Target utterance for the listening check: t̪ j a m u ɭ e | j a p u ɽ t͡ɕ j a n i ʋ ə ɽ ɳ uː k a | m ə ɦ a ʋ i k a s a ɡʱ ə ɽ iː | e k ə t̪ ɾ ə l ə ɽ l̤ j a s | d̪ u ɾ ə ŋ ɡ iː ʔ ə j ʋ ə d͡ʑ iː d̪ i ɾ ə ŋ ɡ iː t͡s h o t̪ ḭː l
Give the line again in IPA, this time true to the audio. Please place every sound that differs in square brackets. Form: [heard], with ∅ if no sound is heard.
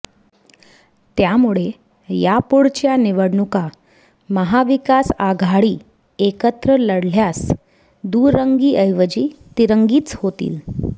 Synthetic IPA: t̪ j a m u ɭ e | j a p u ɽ t͡ɕ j a n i ʋ ə ɽ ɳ [u] k a | m ə ɦ a ʋ i k a s a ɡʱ [a] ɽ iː | e k ə t̪ ɾ ə l ə ɽ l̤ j a s | d̪ u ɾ ə ŋ ɡ iː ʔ ə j ʋ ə d͡ʑ iː [t̪] i ɾ ə ŋ ɡ iː t͡s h o t̪ ḭː l